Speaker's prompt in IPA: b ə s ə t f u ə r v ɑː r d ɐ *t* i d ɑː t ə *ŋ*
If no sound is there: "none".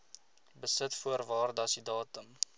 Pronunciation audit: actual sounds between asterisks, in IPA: s, m

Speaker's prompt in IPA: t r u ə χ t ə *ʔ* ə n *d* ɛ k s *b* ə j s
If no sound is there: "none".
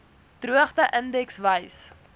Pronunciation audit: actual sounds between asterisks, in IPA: ʔ, d, v

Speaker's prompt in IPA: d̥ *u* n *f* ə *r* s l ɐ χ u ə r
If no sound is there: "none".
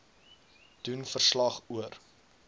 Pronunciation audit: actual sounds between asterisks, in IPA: u, f, r

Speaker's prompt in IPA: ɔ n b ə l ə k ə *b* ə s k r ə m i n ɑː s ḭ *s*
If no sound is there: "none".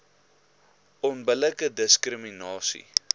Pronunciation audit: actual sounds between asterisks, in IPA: d, none

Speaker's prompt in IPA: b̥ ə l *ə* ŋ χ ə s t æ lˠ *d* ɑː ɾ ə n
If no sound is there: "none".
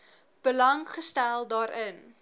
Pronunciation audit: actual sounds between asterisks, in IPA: ɐ, d

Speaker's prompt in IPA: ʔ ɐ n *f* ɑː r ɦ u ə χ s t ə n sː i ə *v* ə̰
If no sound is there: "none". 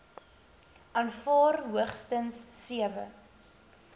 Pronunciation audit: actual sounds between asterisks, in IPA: f, v

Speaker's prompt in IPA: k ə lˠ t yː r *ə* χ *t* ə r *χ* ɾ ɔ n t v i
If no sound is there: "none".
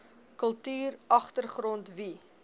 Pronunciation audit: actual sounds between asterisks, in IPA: ɐ, t, χ

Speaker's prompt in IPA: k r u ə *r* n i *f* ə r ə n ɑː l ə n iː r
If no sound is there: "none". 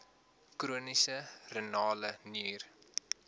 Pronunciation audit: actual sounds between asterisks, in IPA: none, s

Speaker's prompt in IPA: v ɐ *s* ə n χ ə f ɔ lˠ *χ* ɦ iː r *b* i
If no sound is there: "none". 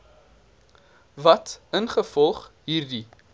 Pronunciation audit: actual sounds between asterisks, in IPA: t, χ, d

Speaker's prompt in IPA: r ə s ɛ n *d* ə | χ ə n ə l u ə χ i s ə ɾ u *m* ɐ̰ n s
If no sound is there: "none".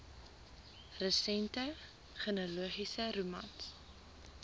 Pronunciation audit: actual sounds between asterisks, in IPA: t, m

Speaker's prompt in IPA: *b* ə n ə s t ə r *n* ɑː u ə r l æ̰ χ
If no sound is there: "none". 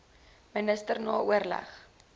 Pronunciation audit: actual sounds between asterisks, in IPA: m, n

